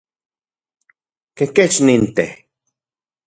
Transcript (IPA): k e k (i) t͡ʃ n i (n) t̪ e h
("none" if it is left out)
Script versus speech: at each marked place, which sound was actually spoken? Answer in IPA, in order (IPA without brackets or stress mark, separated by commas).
e, n